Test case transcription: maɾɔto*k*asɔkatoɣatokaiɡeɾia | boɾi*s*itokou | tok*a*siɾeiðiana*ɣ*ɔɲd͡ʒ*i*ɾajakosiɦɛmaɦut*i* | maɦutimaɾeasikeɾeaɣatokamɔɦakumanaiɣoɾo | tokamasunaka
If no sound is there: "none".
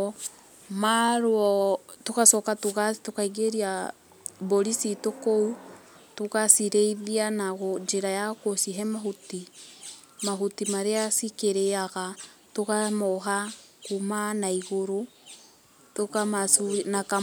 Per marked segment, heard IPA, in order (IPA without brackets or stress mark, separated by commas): k, s, a, ɣ, e, i